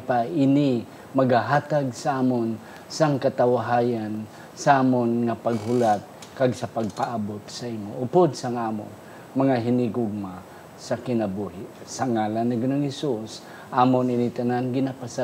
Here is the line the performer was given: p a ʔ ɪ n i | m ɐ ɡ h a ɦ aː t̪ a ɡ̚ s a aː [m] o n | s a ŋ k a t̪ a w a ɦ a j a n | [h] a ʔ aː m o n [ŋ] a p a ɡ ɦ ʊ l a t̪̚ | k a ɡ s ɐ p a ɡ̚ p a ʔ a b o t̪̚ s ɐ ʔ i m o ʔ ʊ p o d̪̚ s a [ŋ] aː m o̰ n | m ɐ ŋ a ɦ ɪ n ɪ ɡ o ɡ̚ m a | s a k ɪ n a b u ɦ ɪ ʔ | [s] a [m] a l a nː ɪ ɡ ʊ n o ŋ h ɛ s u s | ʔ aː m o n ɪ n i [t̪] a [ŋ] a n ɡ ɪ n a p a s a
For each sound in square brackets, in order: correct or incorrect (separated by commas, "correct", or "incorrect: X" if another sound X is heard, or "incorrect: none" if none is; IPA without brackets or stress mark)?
correct, incorrect: s, correct, correct, correct, incorrect: ŋ, correct, incorrect: n